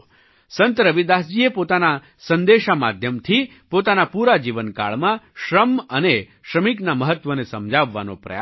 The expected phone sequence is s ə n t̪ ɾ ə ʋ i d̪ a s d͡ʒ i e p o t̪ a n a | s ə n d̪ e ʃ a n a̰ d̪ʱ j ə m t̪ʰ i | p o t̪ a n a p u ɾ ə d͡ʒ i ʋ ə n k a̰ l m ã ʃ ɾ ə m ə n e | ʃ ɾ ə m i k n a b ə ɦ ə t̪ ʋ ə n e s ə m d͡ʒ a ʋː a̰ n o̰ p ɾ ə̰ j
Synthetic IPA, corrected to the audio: s ə n t̪ ɾ ə ʋ i d̪ a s d͡ʒ i e p o t̪ a n a | s ə n d̪ e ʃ a m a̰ d̪ʱ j ə m t̪ʰ i | p o t̪ a n a p u ɾ a d͡ʒ i ʋ ə n k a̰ ɭ m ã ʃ ɾ ə m ə n e | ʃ ɾ ə m i k n a m ə ɦ ə t̪ ʋ ə n e s ə m d͡ʒ a ʋː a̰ n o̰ p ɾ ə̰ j